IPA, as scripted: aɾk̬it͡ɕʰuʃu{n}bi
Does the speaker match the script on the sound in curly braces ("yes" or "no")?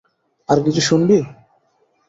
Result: yes